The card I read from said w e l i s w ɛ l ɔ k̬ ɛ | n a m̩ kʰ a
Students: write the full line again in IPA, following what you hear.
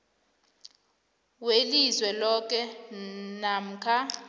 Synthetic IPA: w e l i z w ɛ l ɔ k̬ ɛ | n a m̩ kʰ a